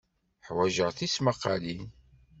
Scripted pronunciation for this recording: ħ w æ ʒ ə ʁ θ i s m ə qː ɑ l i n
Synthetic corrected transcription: ħ w æ ʒ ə ʁ θ i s m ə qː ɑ l i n